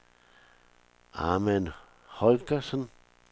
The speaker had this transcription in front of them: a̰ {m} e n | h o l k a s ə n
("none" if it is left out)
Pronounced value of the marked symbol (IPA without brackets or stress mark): m